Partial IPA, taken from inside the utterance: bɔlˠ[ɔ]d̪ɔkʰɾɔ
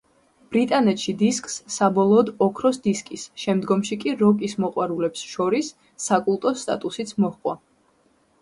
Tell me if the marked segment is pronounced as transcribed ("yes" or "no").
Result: no